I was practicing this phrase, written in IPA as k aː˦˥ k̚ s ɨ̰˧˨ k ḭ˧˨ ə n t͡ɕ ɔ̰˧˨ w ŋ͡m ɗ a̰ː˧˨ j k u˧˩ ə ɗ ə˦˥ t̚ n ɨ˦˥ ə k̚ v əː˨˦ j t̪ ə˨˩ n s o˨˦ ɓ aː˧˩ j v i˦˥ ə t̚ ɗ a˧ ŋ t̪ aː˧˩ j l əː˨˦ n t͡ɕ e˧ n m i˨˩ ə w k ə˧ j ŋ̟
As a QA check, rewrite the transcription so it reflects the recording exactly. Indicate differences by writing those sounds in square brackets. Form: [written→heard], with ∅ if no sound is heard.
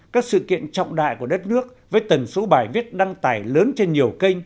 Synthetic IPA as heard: k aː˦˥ k̚ s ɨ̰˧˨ k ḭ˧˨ ə n t͡ɕ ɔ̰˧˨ w ŋ͡m ɗ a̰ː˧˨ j k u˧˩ ə ɗ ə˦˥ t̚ n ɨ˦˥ ə k̚ v əː˨˦ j t̪ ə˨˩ n s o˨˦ ɓ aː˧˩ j v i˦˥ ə t̚ ɗ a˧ ŋ t̪ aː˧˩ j l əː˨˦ n t͡ɕ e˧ n [m→ɲ] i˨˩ ə w k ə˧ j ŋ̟